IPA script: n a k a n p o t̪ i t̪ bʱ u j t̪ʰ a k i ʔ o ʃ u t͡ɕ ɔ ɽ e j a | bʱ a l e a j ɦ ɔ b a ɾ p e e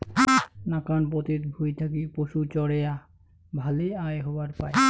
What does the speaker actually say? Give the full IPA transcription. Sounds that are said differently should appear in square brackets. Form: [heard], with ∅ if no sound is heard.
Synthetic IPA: n a k a n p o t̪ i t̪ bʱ u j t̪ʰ a k i [p] o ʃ u t͡ɕ ɔ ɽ e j a | bʱ a l e a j ɦ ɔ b a ɾ p [a] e